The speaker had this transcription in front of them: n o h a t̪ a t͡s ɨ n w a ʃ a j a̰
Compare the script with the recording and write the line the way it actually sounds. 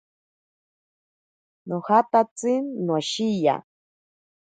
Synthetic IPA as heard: n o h a t̪ a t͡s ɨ n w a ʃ i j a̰